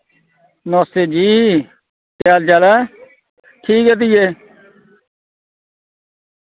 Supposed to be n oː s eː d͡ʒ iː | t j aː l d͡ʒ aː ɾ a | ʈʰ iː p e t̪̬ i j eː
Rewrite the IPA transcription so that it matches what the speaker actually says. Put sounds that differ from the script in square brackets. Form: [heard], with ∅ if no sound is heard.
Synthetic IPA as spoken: n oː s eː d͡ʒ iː | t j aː l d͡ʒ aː [l] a | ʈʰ iː [k] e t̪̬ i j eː